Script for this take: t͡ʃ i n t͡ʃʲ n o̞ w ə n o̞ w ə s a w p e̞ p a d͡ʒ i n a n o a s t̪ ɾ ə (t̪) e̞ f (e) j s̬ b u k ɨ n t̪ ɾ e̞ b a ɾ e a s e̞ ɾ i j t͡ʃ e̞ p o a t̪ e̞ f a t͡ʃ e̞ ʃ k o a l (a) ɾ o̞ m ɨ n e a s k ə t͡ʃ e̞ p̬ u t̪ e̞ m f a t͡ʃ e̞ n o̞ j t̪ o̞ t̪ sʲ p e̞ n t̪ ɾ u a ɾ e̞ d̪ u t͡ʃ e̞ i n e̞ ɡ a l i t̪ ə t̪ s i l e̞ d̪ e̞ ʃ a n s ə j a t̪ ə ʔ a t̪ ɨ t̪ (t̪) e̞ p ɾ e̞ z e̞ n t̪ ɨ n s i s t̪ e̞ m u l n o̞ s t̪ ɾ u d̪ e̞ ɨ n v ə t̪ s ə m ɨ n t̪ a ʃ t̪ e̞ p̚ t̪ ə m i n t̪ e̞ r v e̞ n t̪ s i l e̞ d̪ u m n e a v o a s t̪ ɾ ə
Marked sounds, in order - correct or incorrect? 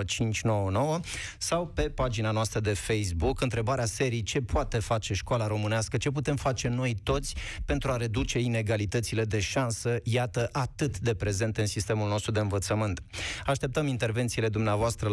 incorrect: d̪, correct, correct, incorrect: d̪

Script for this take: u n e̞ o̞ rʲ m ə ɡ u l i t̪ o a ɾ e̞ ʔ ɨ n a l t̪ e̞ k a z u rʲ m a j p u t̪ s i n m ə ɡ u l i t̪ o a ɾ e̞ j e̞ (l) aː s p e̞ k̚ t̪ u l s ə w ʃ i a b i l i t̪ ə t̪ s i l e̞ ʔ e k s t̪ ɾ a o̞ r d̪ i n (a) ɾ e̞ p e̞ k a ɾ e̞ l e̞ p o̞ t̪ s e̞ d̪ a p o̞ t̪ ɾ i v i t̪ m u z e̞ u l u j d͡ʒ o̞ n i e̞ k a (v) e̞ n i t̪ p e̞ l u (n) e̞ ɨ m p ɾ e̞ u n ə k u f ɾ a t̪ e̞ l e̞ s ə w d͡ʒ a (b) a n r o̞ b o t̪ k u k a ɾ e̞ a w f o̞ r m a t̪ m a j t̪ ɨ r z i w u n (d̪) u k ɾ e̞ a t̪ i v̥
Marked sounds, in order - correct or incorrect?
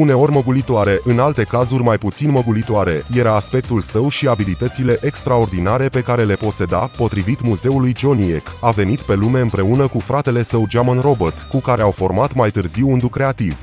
incorrect: ɾ, correct, correct, incorrect: m, incorrect: m, correct

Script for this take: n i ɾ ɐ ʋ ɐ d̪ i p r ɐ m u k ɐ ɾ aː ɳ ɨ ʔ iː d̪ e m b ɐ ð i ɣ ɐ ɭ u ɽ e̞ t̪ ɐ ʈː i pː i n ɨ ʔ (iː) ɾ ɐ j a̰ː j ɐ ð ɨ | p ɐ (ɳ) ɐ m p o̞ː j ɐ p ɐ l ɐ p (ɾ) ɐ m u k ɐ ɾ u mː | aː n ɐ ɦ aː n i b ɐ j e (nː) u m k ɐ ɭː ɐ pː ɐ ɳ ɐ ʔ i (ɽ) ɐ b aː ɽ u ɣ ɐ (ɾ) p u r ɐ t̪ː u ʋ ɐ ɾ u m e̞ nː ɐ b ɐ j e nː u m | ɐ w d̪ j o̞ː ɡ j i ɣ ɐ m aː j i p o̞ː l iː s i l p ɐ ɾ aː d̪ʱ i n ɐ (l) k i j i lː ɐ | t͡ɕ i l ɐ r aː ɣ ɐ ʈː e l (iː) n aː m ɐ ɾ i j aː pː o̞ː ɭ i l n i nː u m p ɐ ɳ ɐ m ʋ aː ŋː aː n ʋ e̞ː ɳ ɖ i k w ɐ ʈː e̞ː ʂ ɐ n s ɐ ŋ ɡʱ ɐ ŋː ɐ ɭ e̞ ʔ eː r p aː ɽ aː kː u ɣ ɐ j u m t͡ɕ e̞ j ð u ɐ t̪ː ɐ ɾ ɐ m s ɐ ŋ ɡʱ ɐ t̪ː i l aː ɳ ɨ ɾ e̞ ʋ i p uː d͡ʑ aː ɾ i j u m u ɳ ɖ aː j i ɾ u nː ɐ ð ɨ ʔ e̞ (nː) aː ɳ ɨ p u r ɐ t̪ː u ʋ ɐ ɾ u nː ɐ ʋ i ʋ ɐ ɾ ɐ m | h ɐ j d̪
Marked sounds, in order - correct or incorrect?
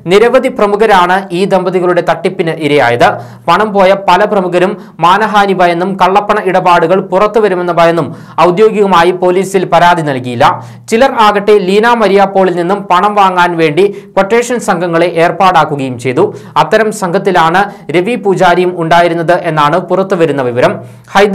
incorrect: i, correct, incorrect: r, correct, correct, incorrect: ɭ, correct, correct, correct

